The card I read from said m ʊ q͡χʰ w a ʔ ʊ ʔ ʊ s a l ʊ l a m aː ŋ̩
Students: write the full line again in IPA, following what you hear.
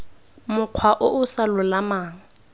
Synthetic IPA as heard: m ʊ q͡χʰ w a ʔ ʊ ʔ ʊ s a l ʊ l a m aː ŋ̩

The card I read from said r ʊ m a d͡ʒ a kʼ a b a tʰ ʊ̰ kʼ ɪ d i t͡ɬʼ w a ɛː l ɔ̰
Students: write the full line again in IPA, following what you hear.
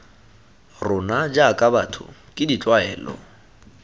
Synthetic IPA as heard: r ʊ n a d͡ʒ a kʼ a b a tʰ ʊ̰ kʼ ɪ d i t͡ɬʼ w a ɛː l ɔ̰

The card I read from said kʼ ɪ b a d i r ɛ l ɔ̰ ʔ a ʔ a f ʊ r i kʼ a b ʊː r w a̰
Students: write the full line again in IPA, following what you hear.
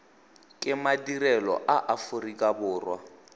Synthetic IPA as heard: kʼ ɪ m a d i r ɛ l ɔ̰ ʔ a ʔ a f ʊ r i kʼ a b ʊː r w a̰

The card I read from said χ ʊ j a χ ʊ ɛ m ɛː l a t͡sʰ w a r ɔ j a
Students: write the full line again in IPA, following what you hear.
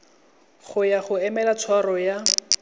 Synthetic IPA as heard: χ ʊ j a χ ʊ ɛ m ɛ l a t͡sʰ w a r ɔ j a

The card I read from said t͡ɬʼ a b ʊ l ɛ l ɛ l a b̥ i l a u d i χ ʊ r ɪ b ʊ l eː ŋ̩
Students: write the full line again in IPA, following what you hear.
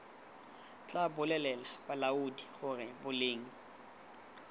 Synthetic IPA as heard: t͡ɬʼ a b ʊ l ɛ l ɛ l a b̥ a l a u d i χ ʊ r ɪ b ʊ l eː ŋ̩

